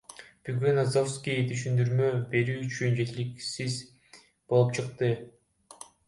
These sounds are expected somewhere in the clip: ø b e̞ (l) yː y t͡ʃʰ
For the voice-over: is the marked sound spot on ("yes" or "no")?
no